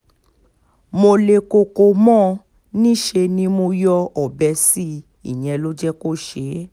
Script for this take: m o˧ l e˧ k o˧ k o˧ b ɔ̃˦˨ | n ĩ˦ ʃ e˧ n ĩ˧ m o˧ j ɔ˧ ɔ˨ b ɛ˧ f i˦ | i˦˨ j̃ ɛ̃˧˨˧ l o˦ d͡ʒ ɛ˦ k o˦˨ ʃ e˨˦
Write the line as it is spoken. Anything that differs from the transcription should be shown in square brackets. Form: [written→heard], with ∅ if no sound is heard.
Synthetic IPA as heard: m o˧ l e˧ k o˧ k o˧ [b→m] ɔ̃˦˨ | n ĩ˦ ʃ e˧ n ĩ˧ m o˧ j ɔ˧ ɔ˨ b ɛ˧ [f→s] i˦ | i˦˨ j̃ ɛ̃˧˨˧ l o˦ d͡ʒ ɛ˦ k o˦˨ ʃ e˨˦